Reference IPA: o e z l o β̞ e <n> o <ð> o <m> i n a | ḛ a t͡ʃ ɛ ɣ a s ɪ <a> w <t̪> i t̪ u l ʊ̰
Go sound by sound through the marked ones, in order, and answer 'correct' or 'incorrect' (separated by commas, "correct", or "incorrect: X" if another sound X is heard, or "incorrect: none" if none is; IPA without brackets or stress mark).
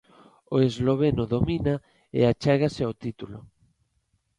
correct, correct, correct, correct, correct